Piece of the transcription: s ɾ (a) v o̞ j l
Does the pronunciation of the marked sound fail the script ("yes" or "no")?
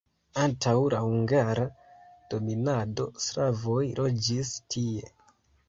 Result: no